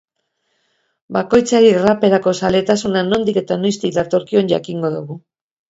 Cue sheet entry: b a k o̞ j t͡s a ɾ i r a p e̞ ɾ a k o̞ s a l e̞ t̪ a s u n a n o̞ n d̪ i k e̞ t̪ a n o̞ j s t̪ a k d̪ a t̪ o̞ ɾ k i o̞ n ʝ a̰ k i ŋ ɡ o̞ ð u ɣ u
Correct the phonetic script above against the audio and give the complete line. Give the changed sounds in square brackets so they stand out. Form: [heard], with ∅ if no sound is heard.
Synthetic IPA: b a k o̞ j t͡s a ɾ i r a p e̞ ɾ a k o̞ s a l e̞ t̪ a s u n a n o̞ n d̪ i k e̞ t̪ a n o̞ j s t̪ [i] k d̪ a t̪ o̞ ɾ k i o̞ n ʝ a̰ k i ŋ ɡ o̞ ð u ɣ u